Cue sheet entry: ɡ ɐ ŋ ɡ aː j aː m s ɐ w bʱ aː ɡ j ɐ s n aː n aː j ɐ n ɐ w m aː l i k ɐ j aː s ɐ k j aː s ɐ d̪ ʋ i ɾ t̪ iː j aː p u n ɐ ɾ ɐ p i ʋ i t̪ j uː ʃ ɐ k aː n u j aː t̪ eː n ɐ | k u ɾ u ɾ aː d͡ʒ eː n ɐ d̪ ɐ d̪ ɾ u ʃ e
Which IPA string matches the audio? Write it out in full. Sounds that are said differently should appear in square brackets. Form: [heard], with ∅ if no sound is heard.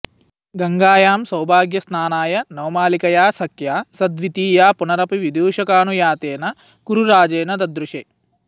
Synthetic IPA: ɡ ɐ ŋ ɡ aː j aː m s ɐ w bʱ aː ɡ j ɐ s n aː n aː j ɐ n ɐ w m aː l i k ɐ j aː s ɐ k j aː s ɐ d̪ ʋ i [∅] t̪ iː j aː p u n ɐ ɾ ɐ p i ʋ i [d̪] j uː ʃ ɐ k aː n u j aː t̪ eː n ɐ | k u ɾ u ɾ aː d͡ʒ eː n ɐ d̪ ɐ d̪ ɾ u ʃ e